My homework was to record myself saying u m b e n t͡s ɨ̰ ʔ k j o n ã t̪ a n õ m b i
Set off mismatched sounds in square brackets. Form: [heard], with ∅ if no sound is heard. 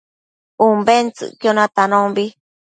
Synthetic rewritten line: u m b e n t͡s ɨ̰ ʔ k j o n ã t̪ a n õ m b i